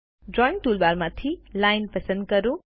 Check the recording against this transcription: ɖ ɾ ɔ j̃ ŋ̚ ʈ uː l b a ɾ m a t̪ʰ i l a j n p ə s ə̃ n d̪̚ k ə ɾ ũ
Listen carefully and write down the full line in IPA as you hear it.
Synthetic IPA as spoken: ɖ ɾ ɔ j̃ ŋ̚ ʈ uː l b a ɾ m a t̪ʰ i l a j n p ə s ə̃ n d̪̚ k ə ɾ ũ

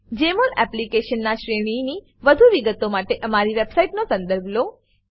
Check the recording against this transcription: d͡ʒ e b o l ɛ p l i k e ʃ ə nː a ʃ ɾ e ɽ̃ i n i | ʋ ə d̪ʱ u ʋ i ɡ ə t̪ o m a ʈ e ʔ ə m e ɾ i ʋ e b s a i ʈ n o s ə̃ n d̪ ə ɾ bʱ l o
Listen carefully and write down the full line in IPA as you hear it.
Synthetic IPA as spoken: d͡ʒ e m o l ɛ p l i k e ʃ ə nː a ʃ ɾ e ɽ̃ i n i | ʋ ə d̪ʱ u ʋ i ɡ ə t̪ o m a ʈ e ʔ ə m a ɾ i ʋ e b s a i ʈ n o s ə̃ n d̪ ə ɾ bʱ l o

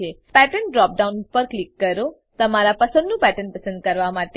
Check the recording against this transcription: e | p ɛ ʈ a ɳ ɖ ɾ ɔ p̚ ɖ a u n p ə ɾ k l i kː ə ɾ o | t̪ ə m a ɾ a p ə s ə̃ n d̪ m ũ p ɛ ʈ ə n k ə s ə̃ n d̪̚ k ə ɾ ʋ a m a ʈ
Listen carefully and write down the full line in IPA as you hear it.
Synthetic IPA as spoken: e | p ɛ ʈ ə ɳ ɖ ɾ ɔ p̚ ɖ a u n p ə ɾ k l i kː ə ɾ o | t̪ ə m a ɾ a p ə s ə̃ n d̪ n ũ p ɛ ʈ ə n p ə s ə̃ n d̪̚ k ə ɾ ʋ a m a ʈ

